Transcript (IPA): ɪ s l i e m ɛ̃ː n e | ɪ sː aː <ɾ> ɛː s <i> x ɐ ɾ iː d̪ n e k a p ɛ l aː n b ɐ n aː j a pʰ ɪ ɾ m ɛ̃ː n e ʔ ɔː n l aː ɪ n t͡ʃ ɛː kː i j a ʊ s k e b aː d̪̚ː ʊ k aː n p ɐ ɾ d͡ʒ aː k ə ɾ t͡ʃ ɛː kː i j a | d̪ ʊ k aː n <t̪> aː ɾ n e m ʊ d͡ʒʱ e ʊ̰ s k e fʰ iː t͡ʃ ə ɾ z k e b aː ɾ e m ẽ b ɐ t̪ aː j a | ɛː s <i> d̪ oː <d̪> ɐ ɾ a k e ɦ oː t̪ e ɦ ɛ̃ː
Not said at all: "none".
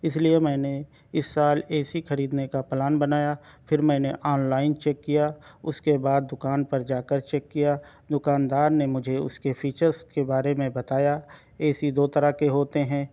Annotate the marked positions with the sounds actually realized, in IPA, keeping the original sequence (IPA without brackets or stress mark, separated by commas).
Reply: l, i, d̪, i, t̪